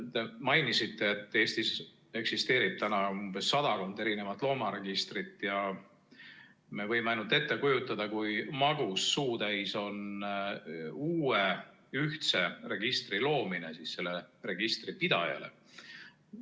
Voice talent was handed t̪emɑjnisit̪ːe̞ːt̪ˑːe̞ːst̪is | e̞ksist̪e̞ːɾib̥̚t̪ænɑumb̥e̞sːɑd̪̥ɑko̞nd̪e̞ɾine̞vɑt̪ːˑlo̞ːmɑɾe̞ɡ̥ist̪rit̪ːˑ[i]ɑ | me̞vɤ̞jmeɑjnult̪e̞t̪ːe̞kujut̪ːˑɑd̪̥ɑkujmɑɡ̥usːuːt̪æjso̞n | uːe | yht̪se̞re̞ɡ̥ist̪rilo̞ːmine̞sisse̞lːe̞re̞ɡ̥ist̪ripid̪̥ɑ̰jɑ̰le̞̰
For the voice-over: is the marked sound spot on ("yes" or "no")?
no